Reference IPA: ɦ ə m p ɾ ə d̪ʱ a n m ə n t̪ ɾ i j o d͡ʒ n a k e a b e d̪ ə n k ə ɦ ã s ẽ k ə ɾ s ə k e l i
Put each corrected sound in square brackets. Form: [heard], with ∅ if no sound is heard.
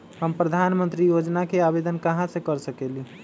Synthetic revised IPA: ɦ ə m p ɾ ə d̪ʱ a n m ə n t̪ ɾ i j o d͡ʒ n a k e a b e d̪ ə n k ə ɦ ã s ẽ k ə ɾ s ə k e l i